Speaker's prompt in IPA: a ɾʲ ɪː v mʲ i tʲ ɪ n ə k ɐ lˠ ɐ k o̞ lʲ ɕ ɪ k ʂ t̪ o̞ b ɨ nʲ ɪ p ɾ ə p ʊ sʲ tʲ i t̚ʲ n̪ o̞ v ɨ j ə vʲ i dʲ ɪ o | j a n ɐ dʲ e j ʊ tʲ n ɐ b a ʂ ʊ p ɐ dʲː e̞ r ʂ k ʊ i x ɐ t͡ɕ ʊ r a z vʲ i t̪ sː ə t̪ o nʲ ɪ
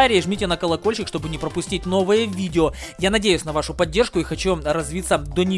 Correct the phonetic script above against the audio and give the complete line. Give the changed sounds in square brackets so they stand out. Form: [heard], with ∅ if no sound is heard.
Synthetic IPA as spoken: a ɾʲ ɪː [ʐ] mʲ i tʲ ɪ n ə k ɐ lˠ ɐ k o̞ lʲ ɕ ɪ k ʂ t̪ o̞ b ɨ nʲ ɪ p ɾ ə p ʊ sʲ tʲ i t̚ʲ n̪ o̞ v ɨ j ə vʲ i dʲ ɪ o | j a n ɐ dʲ e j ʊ [sʲ] n ɐ [v] a ʂ ʊ p ɐ dʲː e̞ r ʂ k ʊ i x ɐ t͡ɕ [u] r [ɐ] z vʲ i t̪ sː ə [d̪] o nʲ ɪ

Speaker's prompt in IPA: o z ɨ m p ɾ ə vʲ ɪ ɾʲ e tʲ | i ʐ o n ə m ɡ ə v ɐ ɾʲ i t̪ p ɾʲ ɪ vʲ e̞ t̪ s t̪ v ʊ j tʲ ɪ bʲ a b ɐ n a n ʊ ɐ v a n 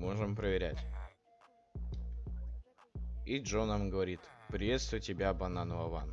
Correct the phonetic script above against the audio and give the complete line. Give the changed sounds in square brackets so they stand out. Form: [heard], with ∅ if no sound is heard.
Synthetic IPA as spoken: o [ʐ] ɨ m p ɾ ə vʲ ɪ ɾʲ [æ] tʲ | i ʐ o n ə m ɡ ə v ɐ ɾʲ i t̪ p ɾʲ ɪ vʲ e̞ t̪ s t̪ v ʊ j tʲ ɪ bʲ a b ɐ n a n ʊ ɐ v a n

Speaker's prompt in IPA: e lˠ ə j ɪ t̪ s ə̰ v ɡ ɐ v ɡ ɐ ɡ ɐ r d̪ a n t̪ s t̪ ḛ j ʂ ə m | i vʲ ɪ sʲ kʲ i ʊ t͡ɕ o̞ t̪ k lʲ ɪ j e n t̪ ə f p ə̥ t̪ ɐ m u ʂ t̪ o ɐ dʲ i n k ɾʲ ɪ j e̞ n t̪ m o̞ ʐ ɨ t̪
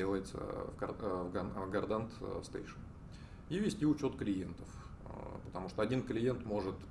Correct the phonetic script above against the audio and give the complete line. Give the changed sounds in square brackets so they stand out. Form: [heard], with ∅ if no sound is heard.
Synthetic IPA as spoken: e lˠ ə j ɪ t̪ s ə̰ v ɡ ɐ v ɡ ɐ ɡ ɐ r d̪ a n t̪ s t̪ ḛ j ʂ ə [n] | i vʲ ɪ sʲ [tʲ] i ʊ t͡ɕ o̞ t̪ k lʲ ɪ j e n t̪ ə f p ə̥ t̪ ɐ m u ʂ t̪ o ɐ dʲ i n k [lʲ] ɪ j e̞ n t̪ m o̞ ʐ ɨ t̪

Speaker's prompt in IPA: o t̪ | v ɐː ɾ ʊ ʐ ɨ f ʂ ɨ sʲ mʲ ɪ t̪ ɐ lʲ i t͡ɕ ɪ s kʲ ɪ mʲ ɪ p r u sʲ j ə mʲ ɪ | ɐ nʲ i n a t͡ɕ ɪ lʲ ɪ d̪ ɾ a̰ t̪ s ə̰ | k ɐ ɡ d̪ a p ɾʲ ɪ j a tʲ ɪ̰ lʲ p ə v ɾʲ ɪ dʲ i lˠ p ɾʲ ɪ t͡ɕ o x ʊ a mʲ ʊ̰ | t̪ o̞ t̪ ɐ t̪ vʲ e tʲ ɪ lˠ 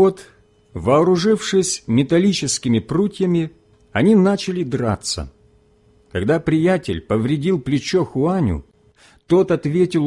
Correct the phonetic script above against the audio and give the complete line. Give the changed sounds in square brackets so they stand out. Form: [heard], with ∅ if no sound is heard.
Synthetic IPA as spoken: o t̪ | v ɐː ɾ ʊ ʐ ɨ f ʂ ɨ sʲ mʲ ɪ t̪ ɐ lʲ i t͡ɕ ɪ s kʲ ɪ mʲ ɪ p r u [tʲ] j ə mʲ ɪ | ɐ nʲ i n a t͡ɕ ɪ lʲ ɪ d̪ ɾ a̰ t̪ s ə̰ | k ɐ ɡ d̪ a p ɾʲ ɪ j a tʲ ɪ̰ lʲ p ə v ɾʲ ɪ dʲ i lˠ p [lʲ] ɪ t͡ɕ o x ʊ a [nʲ] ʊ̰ | t̪ o̞ t̪ ɐ t̪ vʲ e tʲ ɪ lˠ

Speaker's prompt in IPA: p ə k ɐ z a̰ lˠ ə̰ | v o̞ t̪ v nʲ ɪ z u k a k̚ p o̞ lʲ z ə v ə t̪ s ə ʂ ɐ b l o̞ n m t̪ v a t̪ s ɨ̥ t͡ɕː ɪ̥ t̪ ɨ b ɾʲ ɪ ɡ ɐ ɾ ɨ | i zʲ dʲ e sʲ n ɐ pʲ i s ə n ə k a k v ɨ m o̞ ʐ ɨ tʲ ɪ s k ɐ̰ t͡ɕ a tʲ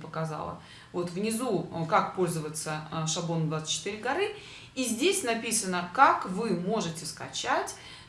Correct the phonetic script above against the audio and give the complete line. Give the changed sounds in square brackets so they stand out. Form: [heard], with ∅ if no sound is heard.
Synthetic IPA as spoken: p ə k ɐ z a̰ lˠ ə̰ | v o̞ t̪ v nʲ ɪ z u k a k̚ p o̞ lʲ z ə v ə t̪ s ə ʂ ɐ b l o̞ n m [d̪] v a t̪ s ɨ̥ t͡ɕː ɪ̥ t̪ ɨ [∅] ɾʲ ɪ ɡ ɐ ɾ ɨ | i zʲ dʲ e sʲ n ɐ pʲ i s ə n ə k a k v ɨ m o̞ ʐ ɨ tʲ ɪ s k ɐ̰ t͡ɕ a tʲ

